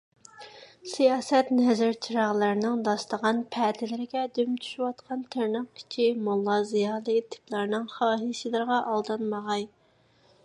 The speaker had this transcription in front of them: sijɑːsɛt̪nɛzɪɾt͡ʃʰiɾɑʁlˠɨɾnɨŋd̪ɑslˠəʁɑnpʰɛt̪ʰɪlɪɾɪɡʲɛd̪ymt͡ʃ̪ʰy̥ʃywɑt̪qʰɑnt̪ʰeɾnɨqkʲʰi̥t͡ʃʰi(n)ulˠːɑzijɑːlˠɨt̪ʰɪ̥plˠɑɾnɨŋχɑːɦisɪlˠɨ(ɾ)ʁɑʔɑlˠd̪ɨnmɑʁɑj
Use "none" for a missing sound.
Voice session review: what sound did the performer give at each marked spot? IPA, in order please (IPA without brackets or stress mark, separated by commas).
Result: m, ɾ